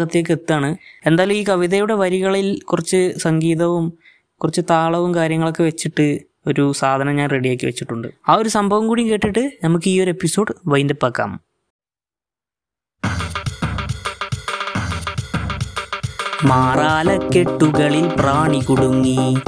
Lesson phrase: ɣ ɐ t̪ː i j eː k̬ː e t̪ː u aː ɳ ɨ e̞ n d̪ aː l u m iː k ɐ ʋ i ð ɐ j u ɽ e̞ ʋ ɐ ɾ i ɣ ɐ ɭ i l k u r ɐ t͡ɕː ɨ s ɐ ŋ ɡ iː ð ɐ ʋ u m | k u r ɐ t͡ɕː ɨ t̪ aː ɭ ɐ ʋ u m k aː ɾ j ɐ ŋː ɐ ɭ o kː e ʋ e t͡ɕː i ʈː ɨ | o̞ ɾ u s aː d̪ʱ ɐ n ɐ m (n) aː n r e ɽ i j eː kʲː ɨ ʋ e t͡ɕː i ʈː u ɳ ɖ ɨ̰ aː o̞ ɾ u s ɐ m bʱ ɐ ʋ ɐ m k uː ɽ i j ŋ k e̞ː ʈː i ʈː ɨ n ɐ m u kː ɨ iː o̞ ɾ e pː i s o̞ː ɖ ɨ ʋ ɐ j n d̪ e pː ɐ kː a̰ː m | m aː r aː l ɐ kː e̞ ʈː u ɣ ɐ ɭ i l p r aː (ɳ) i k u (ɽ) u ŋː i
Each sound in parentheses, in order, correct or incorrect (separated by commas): incorrect, correct, correct